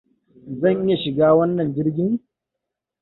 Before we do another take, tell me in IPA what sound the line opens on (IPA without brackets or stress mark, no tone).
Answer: z